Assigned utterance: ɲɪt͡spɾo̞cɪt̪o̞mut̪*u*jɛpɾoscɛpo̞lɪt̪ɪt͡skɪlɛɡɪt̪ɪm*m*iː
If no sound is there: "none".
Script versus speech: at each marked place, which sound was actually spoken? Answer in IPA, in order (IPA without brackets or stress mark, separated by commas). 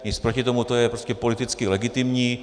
o, ɲ